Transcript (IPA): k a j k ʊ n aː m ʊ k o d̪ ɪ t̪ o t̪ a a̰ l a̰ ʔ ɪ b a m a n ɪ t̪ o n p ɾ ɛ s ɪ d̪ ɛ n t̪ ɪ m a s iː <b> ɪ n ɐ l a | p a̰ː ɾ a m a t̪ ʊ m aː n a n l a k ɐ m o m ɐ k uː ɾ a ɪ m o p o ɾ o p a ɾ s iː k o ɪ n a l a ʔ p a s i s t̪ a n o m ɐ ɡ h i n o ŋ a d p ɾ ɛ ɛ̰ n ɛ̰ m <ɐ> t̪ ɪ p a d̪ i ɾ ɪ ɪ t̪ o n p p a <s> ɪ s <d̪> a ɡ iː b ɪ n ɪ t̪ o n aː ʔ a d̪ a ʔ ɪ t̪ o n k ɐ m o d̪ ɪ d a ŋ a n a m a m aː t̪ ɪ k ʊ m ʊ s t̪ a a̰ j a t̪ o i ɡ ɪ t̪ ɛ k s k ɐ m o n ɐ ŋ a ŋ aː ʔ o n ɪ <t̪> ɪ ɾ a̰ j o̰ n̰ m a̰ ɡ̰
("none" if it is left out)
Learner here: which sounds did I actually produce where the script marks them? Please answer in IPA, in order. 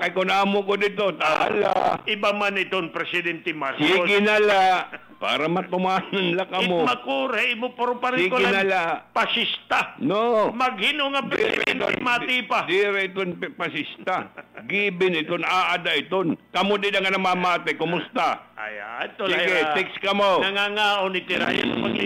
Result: ɡ, a, s, t̪, t̪

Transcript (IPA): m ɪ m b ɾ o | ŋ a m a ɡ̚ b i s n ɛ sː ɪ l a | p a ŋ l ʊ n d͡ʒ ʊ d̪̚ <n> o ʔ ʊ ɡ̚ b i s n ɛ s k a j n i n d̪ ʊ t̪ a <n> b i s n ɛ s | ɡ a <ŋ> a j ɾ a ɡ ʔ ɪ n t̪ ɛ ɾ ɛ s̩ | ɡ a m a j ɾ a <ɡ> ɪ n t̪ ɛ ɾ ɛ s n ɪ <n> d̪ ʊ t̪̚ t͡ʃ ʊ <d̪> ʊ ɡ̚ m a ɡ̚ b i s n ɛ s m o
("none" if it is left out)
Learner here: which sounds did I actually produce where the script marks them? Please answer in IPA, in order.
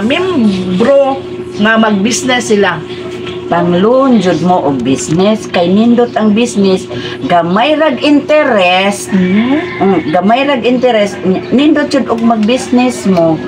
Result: m, ŋ, m, ɡ, n, d̪

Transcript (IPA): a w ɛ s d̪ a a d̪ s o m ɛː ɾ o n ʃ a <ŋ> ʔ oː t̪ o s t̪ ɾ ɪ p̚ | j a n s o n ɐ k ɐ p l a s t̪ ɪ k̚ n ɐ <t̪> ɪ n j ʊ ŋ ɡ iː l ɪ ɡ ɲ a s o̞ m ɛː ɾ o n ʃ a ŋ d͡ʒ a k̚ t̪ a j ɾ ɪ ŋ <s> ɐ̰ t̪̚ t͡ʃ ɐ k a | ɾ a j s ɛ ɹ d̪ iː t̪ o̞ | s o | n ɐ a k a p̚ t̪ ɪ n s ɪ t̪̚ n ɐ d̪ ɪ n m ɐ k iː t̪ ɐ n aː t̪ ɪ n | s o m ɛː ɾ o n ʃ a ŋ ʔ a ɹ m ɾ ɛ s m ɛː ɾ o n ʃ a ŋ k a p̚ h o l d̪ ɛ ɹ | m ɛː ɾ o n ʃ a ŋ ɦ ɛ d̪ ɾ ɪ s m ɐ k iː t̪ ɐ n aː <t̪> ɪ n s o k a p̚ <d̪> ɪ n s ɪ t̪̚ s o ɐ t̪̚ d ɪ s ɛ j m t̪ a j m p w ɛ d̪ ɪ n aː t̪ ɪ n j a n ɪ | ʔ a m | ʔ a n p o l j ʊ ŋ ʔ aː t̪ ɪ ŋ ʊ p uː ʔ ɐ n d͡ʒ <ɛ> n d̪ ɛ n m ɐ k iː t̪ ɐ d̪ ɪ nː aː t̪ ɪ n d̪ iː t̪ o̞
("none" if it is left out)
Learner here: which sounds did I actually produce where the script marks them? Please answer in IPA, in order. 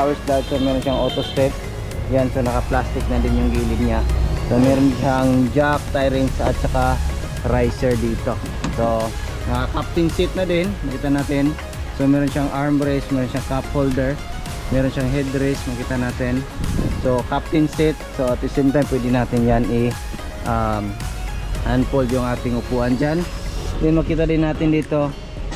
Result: ŋ, d̪, s, t̪, t̪, a

